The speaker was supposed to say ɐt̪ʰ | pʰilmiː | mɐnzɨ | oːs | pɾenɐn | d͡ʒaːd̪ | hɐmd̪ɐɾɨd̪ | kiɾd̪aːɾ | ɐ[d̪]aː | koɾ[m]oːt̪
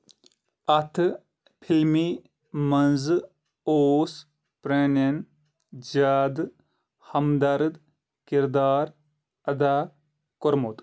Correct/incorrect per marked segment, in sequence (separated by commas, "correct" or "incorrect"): correct, correct